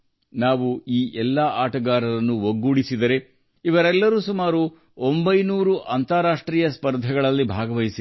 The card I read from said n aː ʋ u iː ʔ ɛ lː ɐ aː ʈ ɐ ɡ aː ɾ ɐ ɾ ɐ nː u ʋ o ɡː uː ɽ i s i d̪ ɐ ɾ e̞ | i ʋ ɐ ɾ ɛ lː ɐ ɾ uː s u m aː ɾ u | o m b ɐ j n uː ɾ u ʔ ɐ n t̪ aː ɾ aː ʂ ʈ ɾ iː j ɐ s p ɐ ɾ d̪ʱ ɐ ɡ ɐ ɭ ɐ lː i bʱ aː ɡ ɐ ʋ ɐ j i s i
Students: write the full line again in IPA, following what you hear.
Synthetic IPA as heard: n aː ʋ u iː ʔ ɛ lː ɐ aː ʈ ɐ ɡ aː ɾ ɐ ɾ ɐ nː u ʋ o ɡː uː ɽ i s i d̪ ɐ ɾ e̞ | i ʋ ɐ ɾ ɛ lː ɐ ɾ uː s u m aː ɾ u | o m b ɐ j n uː ɾ u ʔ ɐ n t̪ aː ɾ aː ʂ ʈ ɾ iː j ɐ s p ɐ ɾ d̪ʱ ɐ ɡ ɐ ɭ ɐ lː i bʱ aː ɡ ɐ ʋ ɐ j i s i

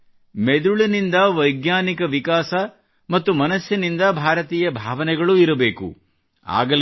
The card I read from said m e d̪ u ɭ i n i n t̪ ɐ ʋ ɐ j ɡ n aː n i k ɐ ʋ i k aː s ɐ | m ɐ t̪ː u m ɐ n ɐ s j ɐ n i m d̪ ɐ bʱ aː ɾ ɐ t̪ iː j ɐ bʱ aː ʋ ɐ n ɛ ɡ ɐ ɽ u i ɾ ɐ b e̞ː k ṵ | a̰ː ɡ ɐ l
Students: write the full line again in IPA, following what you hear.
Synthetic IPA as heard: m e d̪ u ɭ i n i n d̪ ɐ ʋ ɐ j ɡ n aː n i k ɐ ʋ i k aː s ɐ | m ɐ t̪ː u m ɐ n ɐ s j ɐ n i n d̪ ɐ bʱ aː ɾ ɐ t̪ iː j ɐ bʱ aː ʋ ɐ n ɛ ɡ ɐ ɭ u i ɾ ɐ b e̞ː k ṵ | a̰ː ɡ ɐ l

